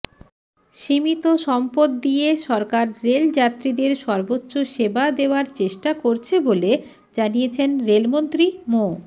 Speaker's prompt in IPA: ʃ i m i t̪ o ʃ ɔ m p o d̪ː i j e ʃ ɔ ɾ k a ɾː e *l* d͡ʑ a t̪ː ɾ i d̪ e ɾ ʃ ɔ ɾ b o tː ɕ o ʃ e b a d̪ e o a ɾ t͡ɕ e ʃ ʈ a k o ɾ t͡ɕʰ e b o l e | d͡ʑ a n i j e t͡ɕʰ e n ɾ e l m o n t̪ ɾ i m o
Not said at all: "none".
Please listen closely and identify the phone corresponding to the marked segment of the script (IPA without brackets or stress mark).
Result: l